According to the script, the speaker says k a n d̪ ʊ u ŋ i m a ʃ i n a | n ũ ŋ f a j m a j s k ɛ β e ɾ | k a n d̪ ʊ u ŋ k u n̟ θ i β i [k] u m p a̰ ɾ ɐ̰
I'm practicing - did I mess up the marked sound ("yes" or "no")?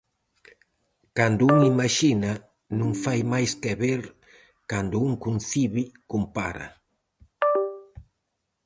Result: no